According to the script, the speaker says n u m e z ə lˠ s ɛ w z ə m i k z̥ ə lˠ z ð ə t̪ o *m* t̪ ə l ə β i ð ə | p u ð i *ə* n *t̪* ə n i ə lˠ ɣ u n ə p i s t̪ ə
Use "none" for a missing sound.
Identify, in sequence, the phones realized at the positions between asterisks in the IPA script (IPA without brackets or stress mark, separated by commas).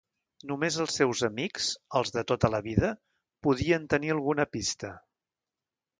none, ə, t̪